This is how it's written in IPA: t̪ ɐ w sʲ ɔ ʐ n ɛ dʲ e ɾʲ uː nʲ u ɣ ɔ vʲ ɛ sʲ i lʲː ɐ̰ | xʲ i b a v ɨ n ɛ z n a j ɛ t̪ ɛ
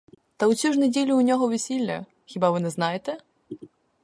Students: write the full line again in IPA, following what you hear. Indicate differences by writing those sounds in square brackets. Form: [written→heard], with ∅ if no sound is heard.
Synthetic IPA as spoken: t̪ ɐ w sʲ [ɔ→u] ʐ n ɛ dʲ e [ɾʲ→lʲ] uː nʲ [u→ɔ] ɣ ɔ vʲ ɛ sʲ i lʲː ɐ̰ | xʲ i b a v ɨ n ɛ z n a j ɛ t̪ ɛ